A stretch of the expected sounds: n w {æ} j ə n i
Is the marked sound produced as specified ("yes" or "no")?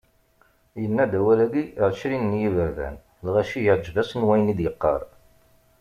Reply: yes